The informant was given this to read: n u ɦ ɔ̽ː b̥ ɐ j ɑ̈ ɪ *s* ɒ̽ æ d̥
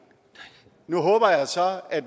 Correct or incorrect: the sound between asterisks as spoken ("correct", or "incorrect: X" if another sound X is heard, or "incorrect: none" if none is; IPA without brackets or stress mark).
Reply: correct